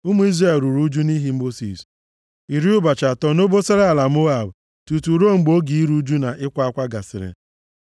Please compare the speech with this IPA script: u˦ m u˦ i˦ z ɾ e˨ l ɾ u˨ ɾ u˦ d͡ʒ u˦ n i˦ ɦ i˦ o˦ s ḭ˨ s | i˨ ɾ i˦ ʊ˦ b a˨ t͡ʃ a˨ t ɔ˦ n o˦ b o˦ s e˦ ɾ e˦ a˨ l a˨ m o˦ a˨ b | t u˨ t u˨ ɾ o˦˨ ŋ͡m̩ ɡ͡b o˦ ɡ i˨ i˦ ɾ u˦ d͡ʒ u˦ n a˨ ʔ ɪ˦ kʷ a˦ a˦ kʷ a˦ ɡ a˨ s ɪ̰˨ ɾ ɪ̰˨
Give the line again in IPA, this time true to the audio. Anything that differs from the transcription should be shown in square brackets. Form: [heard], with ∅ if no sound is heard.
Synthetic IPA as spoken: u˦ m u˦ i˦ z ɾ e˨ l ɾ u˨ ɾ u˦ d͡ʒ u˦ n i˦ ɦ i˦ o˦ s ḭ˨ s | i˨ ɾ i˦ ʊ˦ b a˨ t͡ʃ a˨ t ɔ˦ n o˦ b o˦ s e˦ ɾ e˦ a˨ l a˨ m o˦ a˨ b | t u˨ t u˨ ɾ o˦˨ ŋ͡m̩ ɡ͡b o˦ ɡ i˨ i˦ ɾ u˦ d͡ʒ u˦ n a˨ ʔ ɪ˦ kʷ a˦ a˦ kʷ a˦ ɡ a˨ s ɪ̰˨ ɾ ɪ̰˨